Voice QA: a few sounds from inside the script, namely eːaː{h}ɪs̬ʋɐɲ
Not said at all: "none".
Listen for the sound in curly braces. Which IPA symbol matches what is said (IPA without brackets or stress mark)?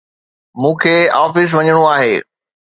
f